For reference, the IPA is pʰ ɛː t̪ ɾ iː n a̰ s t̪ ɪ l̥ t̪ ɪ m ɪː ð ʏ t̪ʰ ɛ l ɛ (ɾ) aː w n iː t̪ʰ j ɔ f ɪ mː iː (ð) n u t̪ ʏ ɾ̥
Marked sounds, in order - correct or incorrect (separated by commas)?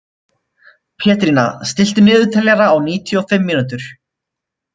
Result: correct, incorrect